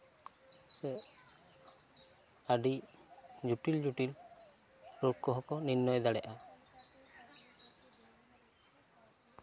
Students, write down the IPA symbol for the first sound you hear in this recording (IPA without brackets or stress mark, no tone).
s